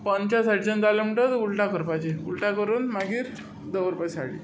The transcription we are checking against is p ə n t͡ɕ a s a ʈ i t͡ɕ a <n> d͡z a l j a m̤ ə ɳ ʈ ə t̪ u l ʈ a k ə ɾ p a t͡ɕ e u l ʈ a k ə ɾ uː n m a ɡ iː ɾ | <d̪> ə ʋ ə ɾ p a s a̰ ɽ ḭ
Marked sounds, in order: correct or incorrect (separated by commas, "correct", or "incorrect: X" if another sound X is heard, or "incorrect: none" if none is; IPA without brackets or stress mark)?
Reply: correct, correct